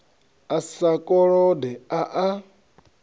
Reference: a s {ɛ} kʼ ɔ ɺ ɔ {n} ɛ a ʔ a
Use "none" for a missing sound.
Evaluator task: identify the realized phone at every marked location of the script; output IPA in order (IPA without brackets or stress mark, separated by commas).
a, d